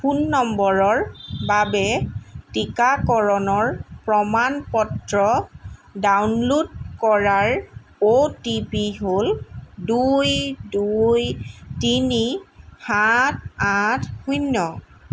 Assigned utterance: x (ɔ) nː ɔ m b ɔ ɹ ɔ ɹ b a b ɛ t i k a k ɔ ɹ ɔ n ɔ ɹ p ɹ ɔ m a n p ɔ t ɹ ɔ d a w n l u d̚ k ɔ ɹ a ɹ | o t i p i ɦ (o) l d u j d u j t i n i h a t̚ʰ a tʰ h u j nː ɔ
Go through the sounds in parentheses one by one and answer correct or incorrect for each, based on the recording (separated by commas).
incorrect, correct